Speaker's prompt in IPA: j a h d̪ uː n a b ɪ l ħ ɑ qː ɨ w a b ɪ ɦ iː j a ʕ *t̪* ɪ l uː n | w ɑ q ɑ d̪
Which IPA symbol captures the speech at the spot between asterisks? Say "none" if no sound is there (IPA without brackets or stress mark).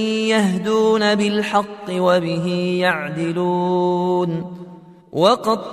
d̪